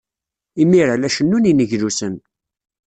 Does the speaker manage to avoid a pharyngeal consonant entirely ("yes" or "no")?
yes